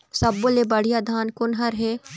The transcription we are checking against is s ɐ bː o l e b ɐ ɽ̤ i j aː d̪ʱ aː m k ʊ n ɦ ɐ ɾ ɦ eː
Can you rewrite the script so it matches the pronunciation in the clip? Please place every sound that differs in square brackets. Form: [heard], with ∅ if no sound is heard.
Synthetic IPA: s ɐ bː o l e b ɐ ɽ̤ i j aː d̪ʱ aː [n] k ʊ n ɦ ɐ ɾ ɦ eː

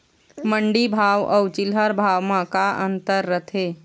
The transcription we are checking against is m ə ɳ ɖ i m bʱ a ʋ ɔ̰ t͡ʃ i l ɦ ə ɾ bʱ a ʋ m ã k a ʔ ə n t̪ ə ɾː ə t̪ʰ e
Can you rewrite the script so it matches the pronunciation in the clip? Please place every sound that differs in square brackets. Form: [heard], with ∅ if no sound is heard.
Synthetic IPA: m ə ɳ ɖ i [∅] bʱ a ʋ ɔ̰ t͡ʃ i l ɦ ə ɾ bʱ a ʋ m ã k a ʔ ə n t̪ ə ɾː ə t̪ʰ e

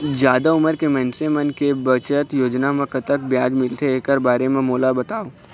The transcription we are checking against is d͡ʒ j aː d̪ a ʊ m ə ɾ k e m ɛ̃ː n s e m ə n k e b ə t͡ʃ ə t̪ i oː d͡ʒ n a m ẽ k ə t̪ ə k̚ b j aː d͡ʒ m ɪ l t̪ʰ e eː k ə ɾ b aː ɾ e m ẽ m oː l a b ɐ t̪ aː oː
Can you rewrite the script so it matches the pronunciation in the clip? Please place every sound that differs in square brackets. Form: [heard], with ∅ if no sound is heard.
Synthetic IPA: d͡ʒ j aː d̪ a ʊ m ə ɾ k e m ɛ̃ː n s e m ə n k e b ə t͡ʃ ə t̪ [j] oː d͡ʒ n a m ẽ k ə t̪ ə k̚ b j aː d͡ʒ m ɪ l t̪ʰ e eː k ə ɾ b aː ɾ e m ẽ m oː l a b ɐ t̪ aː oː

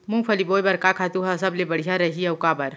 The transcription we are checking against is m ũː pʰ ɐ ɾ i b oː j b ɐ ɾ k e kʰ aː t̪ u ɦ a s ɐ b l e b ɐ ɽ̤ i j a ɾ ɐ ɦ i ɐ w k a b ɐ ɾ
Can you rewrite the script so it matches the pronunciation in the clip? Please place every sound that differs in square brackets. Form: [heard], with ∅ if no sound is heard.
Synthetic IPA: m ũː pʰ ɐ [l] i b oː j b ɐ ɾ k [a] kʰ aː t̪ u ɦ a s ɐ b l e b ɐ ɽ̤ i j a ɾ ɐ ɦ i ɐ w k a b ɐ ɾ

